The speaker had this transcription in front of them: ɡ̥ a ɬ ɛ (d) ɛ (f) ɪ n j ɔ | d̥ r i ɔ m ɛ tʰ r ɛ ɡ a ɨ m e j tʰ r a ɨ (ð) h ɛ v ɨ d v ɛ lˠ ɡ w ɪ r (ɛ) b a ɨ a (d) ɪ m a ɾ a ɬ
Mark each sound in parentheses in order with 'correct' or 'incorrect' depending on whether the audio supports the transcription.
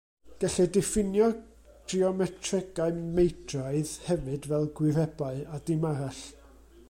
correct, correct, correct, correct, correct

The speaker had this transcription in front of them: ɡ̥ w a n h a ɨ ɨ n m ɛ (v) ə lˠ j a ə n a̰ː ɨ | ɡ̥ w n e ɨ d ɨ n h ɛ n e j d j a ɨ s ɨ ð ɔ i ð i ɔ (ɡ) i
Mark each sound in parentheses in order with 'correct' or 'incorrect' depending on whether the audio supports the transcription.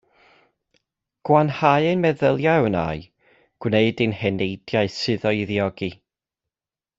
incorrect: ð, correct

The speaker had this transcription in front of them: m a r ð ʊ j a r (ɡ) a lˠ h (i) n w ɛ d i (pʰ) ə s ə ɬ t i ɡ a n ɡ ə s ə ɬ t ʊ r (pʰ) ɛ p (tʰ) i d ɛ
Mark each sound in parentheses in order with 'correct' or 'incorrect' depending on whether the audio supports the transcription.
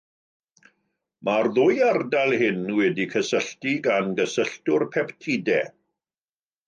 incorrect: d, incorrect: ɪ, incorrect: kʰ, correct, correct

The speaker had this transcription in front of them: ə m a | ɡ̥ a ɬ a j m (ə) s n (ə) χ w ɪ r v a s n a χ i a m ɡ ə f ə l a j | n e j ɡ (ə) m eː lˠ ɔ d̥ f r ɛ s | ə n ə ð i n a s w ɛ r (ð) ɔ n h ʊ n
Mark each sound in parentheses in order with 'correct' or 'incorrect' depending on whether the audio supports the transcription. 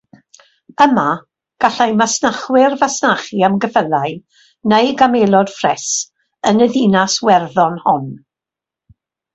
incorrect: a, incorrect: a, incorrect: a, correct

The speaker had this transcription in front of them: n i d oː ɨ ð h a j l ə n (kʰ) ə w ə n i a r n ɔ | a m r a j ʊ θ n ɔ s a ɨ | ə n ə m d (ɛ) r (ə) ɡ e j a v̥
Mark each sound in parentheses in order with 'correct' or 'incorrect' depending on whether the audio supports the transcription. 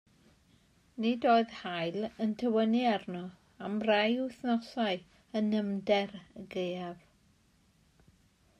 incorrect: tʰ, correct, correct

